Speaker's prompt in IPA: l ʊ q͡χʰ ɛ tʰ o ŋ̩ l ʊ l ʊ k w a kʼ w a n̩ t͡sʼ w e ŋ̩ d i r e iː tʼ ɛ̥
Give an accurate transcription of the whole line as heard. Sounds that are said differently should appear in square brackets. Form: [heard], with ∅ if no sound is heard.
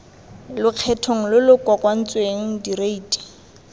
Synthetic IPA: l ʊ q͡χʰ ɛ tʰ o ŋ̩ l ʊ l ʊ k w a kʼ w a n̩ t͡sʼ w e ŋ̩ d i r e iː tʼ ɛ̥